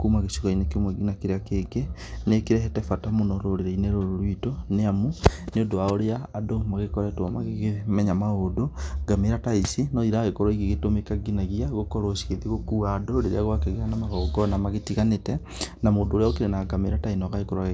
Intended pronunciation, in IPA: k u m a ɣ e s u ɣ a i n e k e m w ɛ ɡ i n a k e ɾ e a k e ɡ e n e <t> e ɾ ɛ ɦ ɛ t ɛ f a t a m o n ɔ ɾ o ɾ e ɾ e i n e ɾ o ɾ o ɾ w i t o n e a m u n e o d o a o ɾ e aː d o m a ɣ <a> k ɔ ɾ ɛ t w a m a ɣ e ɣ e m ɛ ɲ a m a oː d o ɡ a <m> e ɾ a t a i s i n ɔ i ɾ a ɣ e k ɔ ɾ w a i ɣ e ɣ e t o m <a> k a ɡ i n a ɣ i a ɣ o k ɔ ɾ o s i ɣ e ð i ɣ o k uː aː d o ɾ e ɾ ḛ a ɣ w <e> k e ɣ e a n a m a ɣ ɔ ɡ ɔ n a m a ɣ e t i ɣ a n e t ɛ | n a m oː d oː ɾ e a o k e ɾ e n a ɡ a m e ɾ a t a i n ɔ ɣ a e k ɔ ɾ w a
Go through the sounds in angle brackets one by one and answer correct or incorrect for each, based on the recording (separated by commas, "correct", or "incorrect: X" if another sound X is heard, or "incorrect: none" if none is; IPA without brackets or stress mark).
incorrect: k, incorrect: e, correct, incorrect: e, incorrect: a